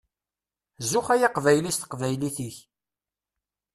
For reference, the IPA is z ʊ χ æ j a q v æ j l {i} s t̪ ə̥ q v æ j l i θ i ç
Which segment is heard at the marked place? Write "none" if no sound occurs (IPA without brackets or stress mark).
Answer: i